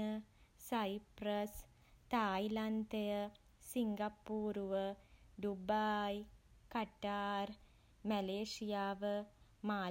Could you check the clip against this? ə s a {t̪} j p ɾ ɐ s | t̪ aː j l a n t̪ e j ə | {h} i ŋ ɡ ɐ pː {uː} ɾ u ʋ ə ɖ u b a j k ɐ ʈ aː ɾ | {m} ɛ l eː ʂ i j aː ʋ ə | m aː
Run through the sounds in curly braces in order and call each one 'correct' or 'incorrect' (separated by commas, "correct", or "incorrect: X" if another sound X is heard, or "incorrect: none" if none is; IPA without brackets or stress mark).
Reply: incorrect: none, incorrect: s, correct, correct